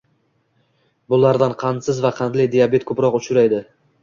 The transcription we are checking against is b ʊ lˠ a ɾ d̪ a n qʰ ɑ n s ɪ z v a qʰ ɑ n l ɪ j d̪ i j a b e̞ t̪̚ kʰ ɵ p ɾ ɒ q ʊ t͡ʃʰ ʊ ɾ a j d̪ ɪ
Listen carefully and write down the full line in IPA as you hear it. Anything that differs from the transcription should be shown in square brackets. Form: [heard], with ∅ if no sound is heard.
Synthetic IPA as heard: b ʊ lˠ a ɾ d̪ a n qʰ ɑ n s ɪ z v a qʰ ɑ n l ɪ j d̪ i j a b e̞ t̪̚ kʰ ɵ p ɾ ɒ q ʊ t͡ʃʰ ʊ ɾ a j d̪ ɪ